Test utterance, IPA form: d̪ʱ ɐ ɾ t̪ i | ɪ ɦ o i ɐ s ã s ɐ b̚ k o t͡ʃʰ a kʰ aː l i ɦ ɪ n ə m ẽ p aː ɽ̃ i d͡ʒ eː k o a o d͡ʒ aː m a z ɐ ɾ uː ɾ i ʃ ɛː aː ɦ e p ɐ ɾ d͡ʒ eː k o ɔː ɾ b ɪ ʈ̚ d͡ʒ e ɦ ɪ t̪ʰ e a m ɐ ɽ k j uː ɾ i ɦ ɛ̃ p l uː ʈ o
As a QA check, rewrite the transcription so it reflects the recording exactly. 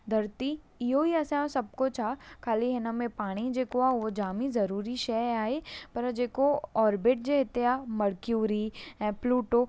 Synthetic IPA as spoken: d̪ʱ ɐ ɾ t̪ i | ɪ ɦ o i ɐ s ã s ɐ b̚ k o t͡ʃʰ a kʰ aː l i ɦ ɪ n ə m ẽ p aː ɽ̃ i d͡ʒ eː k o a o d͡ʒ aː m i z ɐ ɾ uː ɾ i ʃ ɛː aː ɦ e p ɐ ɾ d͡ʒ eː k o ɔː ɾ b ɪ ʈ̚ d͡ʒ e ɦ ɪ t̪ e a m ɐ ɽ k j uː ɾ i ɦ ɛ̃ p l uː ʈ o